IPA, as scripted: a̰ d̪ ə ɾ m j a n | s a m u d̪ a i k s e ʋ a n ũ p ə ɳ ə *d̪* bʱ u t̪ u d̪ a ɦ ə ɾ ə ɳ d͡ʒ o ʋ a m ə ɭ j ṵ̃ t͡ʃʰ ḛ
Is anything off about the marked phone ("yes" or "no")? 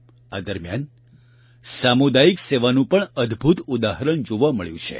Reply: no